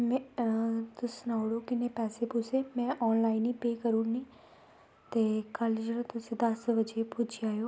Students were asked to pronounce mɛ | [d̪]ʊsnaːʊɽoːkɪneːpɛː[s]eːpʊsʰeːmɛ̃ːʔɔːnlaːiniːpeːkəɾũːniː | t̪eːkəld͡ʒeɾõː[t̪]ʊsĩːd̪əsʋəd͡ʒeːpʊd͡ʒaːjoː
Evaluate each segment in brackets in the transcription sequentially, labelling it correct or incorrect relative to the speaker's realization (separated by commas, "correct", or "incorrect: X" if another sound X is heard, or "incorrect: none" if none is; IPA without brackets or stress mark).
incorrect: t̪, correct, correct